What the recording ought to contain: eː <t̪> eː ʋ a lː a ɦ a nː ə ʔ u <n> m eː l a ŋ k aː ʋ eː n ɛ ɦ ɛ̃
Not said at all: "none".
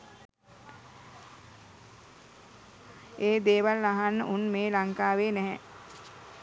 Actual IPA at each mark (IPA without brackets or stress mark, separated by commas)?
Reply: d̪, n